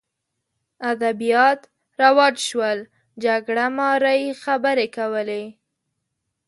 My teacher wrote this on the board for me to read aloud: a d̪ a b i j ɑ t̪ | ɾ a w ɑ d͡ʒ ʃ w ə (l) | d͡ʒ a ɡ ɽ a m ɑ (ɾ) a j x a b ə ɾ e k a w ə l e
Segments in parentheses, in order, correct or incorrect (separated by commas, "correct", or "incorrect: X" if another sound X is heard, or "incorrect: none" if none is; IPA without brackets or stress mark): correct, correct